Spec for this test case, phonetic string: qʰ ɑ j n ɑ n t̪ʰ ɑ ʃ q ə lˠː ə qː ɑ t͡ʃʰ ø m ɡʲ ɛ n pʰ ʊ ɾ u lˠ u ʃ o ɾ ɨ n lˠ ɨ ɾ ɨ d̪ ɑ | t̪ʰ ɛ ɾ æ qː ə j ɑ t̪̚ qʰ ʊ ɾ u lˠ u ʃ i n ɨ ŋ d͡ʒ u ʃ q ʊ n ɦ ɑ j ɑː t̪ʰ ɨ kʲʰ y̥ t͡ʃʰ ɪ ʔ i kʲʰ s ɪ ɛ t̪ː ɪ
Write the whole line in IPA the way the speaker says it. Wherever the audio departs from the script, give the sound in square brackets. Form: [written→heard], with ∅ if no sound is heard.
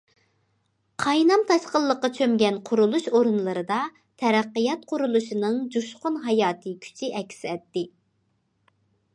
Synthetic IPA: qʰ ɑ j n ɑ [n→m] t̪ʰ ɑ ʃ q ə lˠː ə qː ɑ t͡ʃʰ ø m ɡʲ ɛ n [pʰ→qʰ] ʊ ɾ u lˠ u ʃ o ɾ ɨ n lˠ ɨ ɾ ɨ d̪ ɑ | t̪ʰ ɛ ɾ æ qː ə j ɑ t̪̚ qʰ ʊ ɾ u lˠ u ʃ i n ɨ ŋ d͡ʒ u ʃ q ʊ n ɦ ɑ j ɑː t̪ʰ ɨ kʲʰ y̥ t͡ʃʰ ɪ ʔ [i→ɛ] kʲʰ s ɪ ɛ t̪ː ɪ